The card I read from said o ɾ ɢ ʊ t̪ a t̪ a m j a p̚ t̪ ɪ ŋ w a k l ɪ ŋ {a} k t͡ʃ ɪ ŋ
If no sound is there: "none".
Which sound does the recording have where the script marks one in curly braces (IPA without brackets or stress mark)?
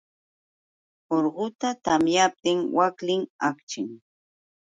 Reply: a